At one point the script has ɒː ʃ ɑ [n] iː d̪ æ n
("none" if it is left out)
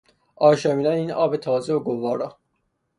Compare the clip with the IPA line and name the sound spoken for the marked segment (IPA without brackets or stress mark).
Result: m